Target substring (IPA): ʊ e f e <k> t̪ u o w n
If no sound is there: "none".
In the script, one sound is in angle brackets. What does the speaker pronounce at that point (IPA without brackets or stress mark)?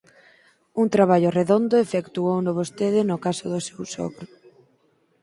k